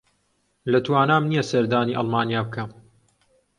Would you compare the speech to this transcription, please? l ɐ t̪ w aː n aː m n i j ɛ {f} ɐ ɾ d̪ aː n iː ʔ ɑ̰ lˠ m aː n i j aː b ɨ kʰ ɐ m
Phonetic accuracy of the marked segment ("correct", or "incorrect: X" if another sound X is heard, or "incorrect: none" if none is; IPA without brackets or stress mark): incorrect: s